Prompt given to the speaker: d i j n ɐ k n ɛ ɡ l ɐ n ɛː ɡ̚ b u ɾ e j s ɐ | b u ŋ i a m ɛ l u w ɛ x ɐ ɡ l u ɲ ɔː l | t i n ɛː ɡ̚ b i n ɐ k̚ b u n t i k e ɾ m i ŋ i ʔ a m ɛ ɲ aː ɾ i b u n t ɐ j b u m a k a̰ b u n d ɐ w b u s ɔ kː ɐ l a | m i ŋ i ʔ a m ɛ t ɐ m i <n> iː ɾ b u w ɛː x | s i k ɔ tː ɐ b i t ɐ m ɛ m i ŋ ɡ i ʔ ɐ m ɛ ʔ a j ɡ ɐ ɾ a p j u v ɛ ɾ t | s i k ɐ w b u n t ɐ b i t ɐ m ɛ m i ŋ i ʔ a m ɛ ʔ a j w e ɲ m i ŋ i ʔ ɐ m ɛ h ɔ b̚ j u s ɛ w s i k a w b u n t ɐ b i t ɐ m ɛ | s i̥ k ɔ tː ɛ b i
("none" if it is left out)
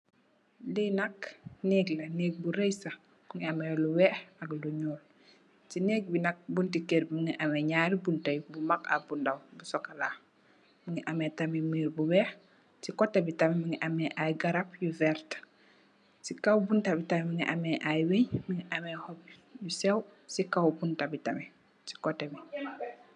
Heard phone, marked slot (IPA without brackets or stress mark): m